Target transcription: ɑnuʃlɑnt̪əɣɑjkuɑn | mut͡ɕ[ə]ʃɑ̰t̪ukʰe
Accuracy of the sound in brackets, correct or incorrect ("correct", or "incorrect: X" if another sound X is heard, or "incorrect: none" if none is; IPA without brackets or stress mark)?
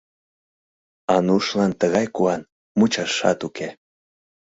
incorrect: ɑ